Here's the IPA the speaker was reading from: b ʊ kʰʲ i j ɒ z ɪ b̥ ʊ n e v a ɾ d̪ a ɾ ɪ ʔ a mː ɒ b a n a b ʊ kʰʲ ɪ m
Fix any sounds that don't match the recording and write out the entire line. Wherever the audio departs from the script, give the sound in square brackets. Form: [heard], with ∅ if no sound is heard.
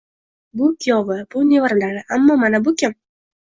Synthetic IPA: b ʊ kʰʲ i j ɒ [v] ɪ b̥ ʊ n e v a ɾ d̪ a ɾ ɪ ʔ a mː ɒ [m] a n a b ʊ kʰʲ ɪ m